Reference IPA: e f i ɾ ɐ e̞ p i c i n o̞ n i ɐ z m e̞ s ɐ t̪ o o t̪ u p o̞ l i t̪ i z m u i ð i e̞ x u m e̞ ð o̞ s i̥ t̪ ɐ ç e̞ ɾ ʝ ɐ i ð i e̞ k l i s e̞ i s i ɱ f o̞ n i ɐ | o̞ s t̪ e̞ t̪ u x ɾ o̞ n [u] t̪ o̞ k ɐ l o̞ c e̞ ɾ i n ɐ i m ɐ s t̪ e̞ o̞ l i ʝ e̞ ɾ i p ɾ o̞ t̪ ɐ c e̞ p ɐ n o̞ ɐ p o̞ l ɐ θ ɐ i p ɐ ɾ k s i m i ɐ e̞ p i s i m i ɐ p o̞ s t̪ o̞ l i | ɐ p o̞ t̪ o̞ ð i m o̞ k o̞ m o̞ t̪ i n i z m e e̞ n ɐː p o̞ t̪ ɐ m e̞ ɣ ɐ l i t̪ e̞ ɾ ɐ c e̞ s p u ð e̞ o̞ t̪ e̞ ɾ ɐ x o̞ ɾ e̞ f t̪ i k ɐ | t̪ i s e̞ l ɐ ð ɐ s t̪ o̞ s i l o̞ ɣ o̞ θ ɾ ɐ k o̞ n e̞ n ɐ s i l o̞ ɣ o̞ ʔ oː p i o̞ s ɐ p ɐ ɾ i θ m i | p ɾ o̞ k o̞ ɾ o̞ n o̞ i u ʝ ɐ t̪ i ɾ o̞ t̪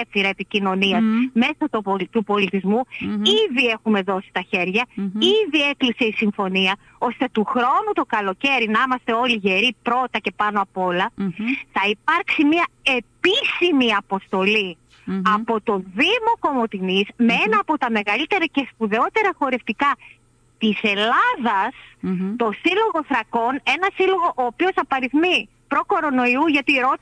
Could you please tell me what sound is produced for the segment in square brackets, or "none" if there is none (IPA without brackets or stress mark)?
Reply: u